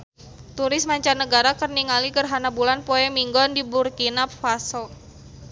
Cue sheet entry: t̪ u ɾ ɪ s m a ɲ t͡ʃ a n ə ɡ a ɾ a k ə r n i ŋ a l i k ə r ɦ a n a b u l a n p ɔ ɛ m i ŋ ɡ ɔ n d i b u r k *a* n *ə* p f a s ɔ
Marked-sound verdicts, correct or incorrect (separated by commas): incorrect, incorrect